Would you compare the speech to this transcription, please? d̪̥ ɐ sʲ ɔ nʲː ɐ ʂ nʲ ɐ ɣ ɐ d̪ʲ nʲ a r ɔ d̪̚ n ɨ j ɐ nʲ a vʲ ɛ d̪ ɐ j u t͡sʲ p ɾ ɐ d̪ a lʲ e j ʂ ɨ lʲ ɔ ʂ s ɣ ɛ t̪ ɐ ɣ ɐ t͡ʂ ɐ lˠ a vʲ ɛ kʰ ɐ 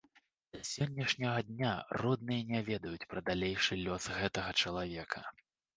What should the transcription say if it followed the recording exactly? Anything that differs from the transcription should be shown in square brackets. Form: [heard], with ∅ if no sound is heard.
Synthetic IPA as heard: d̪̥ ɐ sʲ ɔ nʲː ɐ ʂ nʲ ɐ ɣ ɐ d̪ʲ nʲ a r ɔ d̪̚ n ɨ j ɐ nʲ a vʲ ɛ d̪ ɐ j u t͡sʲ p ɾ ɐ d̪ a lʲ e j ʂ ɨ lʲ ɔ [∅] s ɣ ɛ t̪ ɐ ɣ ɐ t͡ʂ ɐ lˠ a vʲ ɛ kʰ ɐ